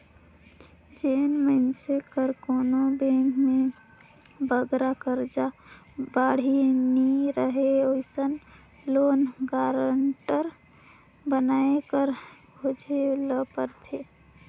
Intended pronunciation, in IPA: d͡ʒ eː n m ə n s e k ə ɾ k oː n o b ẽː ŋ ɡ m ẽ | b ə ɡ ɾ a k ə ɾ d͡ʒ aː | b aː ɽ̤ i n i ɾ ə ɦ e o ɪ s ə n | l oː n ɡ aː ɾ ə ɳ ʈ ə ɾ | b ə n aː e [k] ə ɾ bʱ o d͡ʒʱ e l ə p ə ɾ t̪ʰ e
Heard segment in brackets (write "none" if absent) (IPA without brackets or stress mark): k